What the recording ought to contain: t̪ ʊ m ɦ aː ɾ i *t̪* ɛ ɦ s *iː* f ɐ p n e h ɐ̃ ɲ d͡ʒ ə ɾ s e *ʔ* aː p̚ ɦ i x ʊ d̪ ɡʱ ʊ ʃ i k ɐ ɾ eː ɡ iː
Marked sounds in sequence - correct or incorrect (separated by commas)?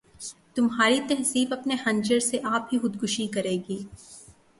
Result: correct, correct, correct